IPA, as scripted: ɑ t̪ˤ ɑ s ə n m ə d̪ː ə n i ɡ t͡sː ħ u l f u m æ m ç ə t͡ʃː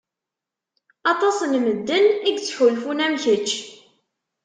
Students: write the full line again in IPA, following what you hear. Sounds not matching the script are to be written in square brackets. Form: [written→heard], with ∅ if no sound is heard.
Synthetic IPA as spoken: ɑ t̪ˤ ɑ s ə n m ə d̪ː ə n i ɡ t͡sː ħ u l f u [m→n] æ m ç ə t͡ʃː